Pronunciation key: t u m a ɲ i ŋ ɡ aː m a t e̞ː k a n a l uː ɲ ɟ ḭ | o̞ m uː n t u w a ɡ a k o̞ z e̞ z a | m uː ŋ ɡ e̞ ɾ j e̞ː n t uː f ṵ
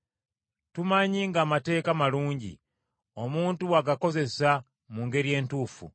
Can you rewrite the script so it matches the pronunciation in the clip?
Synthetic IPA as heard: t u m a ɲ i ŋ ɡ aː m a t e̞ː k a m a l uː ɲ ɟ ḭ | o̞ m uː n t u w a ɡ a k o̞ z e̞ s a | m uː ŋ ɡ e̞ ɾ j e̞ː n t uː f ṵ